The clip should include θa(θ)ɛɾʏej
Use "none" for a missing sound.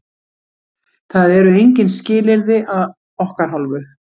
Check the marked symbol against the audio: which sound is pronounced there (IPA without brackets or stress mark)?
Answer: ð